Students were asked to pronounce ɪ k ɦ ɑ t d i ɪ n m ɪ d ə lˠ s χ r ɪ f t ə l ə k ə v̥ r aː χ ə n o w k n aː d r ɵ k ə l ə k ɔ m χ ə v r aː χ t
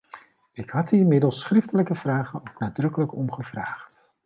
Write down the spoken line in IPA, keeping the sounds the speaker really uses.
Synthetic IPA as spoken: ɪ k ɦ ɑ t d i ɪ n m ɪ d ə lˠ s χ r ɪ f t ə l ə k ə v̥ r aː χ ə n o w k n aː d r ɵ k ə l ə k ɔ m χ ə v r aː χ t